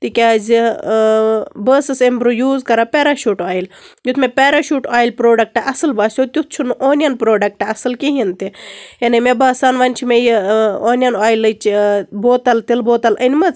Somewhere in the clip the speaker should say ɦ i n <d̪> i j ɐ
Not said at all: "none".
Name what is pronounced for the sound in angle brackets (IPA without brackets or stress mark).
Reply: t̪